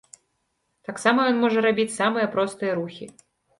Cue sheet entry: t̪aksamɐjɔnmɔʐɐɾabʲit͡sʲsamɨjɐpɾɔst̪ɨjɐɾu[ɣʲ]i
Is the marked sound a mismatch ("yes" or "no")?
yes